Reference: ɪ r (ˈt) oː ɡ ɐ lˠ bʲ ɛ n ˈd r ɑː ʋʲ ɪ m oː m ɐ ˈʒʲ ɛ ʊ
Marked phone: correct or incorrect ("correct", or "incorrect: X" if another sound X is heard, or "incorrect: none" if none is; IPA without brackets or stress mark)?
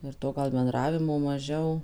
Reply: correct